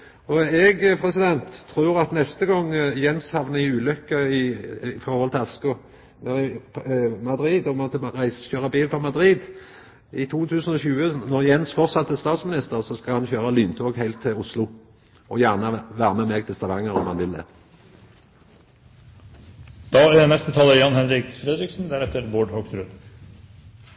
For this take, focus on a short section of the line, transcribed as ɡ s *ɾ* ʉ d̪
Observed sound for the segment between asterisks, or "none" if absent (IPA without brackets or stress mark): ɾ